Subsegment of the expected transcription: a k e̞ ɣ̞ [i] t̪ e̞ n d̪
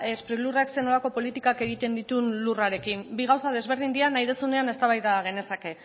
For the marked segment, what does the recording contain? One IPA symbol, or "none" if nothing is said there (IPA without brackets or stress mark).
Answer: i